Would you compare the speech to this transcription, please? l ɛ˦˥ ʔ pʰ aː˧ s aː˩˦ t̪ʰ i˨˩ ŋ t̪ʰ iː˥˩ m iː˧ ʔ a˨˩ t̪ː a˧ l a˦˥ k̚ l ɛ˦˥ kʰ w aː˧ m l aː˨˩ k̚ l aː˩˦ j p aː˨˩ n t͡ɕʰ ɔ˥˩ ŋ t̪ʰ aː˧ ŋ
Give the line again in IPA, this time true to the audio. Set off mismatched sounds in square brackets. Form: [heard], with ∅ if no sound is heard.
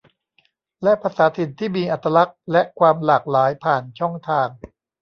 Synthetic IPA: l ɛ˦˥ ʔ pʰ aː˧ s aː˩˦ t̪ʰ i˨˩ [n] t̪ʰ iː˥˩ m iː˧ ʔ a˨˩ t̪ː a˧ l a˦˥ k̚ l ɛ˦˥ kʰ w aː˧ m l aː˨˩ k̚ l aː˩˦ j [pʰ] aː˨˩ n t͡ɕʰ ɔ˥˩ ŋ t̪ʰ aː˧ ŋ